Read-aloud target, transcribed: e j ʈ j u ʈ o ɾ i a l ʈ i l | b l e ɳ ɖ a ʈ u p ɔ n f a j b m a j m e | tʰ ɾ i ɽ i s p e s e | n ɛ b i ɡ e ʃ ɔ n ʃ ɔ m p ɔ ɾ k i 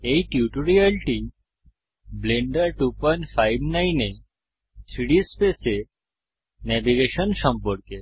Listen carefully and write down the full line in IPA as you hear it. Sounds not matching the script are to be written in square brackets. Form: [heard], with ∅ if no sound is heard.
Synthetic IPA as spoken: e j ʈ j u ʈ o ɾ i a l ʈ i [∅] | b l e ɳ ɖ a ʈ u p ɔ n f a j b [n] a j [n] e | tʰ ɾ i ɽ i s p e s e | n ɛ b i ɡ e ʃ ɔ n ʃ ɔ m p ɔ ɾ k [e]